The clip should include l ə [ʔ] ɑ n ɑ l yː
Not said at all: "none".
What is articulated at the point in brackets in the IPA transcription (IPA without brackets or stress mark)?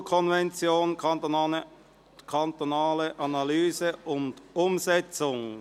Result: ʔ